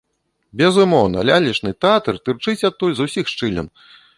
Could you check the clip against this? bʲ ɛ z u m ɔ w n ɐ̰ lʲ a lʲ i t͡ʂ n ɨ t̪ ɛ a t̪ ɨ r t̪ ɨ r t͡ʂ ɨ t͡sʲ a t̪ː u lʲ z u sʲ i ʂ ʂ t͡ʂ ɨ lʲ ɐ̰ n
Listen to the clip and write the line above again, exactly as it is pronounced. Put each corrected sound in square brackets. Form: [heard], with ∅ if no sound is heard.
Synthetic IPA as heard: bʲ ɛ z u m ɔ w n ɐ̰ lʲ a lʲ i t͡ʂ n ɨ t̪ ɛ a t̪ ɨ r t̪ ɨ r t͡ʂ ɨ t͡sʲ a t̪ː u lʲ z u sʲ i [x] ʂ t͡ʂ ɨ lʲ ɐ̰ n

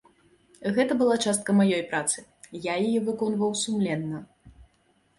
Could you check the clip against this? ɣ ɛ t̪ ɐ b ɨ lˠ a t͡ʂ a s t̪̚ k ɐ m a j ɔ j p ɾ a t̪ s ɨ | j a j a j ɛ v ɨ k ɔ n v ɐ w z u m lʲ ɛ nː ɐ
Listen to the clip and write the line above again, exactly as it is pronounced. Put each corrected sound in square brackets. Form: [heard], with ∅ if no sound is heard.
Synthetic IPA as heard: ɣ ɛ t̪ ɐ b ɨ lˠ a t͡ʂ a s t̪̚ k ɐ m a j ɔ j p ɾ a t̪ s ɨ | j a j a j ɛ v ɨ k ɔ n v ɐ w [s] u m lʲ ɛ nː ɐ

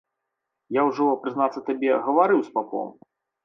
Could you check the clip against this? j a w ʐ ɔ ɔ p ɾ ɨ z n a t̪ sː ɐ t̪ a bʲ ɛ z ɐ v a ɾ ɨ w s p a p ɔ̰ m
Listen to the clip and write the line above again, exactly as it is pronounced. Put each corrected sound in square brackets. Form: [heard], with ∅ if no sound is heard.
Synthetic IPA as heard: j a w ʐ ɔ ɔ p ɾ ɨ z n a t̪ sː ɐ t̪ a bʲ ɛ [ɣ] ɐ v a ɾ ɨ w s p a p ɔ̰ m

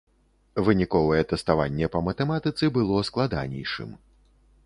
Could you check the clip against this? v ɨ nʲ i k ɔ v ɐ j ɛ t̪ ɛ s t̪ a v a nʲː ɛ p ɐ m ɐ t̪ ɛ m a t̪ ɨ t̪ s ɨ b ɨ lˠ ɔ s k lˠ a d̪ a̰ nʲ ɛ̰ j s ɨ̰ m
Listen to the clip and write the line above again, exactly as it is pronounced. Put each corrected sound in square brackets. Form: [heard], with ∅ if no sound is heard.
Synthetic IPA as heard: v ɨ nʲ i k ɔ v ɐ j ɛ t̪ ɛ s t̪ a v a nʲː ɛ p ɐ m ɐ t̪ ɛ m a t̪ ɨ t̪ s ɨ b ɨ lˠ ɔ s k lˠ a d̪ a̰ nʲ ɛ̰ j [ʂ] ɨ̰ m

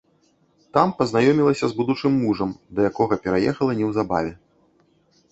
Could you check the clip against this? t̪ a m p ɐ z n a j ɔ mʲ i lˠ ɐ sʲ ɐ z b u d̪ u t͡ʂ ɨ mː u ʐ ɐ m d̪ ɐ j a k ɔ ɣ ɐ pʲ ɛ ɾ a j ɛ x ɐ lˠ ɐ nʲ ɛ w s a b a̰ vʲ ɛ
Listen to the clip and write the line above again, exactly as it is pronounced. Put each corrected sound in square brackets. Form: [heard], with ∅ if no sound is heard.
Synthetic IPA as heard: t̪ a m p ɐ z n a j ɔ mʲ i lˠ ɐ sʲ ɐ z b u d̪ u t͡ʂ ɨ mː u ʐ ɐ m d̪ ɐ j a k ɔ ɣ ɐ pʲ ɛ ɾ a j ɛ x ɐ lˠ ɐ nʲ ɛ w [z] a b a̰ vʲ ɛ

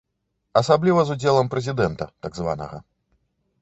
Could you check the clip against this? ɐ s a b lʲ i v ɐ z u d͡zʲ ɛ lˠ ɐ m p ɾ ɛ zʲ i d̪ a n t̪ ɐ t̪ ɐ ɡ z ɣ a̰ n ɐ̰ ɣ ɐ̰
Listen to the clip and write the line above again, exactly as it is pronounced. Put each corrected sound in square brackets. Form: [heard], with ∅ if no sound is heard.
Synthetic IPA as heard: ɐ s a b lʲ i v ɐ z u d͡zʲ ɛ lˠ ɐ m p ɾ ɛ zʲ i d̪ [ɛ] n t̪ ɐ t̪ [a] ɡ z [v] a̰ n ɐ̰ ɣ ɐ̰

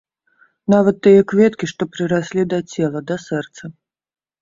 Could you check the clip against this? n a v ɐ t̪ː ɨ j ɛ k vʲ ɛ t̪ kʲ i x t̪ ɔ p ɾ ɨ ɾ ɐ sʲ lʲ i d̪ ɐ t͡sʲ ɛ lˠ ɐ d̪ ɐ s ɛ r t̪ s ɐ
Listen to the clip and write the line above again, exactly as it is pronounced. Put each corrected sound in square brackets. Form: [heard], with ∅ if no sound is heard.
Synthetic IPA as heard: n a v ɐ t̪ː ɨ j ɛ k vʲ ɛ t̪ kʲ i [ʂ] t̪ ɔ p ɾ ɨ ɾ [a] sʲ lʲ i d̪ ɐ t͡sʲ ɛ lˠ ɐ d̪ ɐ s ɛ r t̪ s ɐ

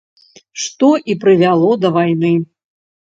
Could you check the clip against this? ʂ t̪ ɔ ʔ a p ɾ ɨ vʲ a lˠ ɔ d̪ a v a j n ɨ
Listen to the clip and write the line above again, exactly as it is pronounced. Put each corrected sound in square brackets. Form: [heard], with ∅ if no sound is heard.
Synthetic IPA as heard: ʂ t̪ ɔ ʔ [i] p ɾ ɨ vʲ a lˠ ɔ d̪ [ɐ] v a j n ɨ

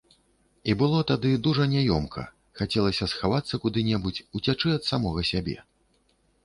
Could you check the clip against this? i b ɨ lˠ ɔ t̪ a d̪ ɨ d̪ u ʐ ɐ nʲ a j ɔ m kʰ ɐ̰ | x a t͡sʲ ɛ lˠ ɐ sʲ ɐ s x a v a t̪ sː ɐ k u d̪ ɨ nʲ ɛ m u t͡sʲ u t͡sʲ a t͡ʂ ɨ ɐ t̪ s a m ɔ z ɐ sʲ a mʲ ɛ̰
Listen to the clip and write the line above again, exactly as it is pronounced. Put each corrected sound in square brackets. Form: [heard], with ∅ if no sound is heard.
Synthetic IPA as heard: i b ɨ lˠ ɔ t̪ a d̪ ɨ d̪ u ʐ ɐ nʲ a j ɔ m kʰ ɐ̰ | x a t͡sʲ ɛ lˠ ɐ sʲ ɐ s x a v a t̪ sː ɐ k u d̪ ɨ nʲ ɛ [b] u t͡sʲ u t͡sʲ a t͡ʂ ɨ ɐ t̪ s a m ɔ [ɣ] ɐ sʲ a [bʲ] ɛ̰

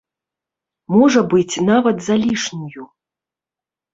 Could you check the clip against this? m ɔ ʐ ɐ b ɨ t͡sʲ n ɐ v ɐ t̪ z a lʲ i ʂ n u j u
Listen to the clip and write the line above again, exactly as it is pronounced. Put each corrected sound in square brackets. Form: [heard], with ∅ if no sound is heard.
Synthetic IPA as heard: m ɔ ʐ ɐ b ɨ t͡sʲ n [a] v ɐ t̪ z a lʲ i ʂ n u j u

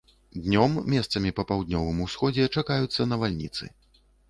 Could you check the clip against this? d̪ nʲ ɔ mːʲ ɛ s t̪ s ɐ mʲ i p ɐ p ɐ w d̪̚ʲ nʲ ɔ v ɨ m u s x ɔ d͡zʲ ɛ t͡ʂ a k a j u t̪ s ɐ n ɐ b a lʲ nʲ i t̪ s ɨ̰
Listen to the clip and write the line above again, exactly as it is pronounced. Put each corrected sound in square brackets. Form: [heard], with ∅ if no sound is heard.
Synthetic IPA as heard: d̪ nʲ ɔ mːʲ ɛ s t̪ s ɐ mʲ i p ɐ p [a] w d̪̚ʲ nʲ ɔ v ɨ m u s x ɔ d͡zʲ ɛ t͡ʂ a k a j u t̪ [sː] ɐ n ɐ [v] a lʲ nʲ i t̪ s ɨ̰

